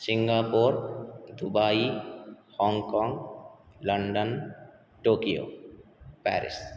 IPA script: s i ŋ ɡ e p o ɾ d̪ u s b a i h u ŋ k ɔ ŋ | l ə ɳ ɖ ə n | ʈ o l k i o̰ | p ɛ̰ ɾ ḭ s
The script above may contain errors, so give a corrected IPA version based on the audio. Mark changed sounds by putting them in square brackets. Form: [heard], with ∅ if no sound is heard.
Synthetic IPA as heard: s i ŋ ɡ [a] p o ɾ d̪ u [∅] b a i h [ɔ] ŋ k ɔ ŋ | l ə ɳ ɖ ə n | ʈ o [∅] k i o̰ | p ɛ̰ ɾ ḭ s

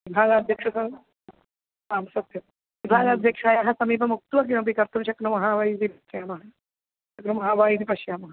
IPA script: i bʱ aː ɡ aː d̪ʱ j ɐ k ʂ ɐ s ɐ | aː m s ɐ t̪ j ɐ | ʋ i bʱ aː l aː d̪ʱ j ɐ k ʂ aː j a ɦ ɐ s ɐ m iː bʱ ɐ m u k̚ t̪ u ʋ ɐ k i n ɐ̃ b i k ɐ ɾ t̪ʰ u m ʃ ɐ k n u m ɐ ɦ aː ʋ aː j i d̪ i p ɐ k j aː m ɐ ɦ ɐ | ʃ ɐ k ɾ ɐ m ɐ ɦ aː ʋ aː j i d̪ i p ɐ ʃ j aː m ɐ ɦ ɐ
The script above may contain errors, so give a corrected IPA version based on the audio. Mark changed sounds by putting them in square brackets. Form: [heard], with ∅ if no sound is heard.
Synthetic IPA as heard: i bʱ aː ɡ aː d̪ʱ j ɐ k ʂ ɐ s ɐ | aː m s ɐ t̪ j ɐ | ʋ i bʱ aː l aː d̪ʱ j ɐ k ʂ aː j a ɦ ɐ s ɐ m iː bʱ ɐ m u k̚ t̪ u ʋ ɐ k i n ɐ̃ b i k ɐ ɾ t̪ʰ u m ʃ ɐ k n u m ɐ ɦ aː ʋ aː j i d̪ i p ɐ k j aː m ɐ ɦ ɐ | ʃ ɐ k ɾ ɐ m ɐ ɦ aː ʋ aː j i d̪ i p ɐ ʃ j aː m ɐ ɦ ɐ

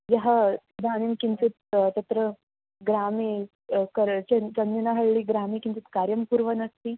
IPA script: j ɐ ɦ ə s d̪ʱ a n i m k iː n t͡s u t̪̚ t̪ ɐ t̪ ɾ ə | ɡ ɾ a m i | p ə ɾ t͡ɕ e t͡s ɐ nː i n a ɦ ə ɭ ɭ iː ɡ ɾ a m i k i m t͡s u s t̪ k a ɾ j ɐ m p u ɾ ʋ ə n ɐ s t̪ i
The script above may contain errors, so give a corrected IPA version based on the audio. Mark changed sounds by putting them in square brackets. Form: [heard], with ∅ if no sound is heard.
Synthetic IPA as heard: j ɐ ɦ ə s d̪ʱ a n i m k [i] n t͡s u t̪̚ t̪ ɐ t̪ ɾ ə | ɡ ɾ a m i | [k] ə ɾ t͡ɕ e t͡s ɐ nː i n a ɦ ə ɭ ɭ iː ɡ ɾ a m i k i [n] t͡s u [∅] t̪ k a ɾ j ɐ m p u ɾ ʋ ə n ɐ s t̪ i

